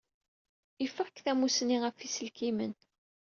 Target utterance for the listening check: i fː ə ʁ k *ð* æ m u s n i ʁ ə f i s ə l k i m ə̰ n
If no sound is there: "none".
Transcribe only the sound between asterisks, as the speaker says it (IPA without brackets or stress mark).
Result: θ